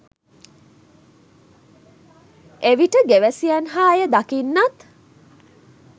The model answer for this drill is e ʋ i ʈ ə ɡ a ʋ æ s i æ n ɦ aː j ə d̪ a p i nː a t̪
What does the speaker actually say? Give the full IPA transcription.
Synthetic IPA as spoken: e ʋ i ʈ ə ɡ e ʋ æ s i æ n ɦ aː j ə d̪ a k i nː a t̪